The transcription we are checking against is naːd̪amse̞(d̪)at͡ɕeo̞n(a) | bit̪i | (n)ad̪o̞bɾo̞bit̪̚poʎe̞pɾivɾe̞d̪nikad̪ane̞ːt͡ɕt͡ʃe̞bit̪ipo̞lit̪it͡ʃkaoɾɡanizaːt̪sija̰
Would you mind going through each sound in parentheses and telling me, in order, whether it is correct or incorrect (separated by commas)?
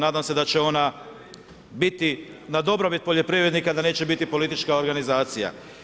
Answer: correct, correct, correct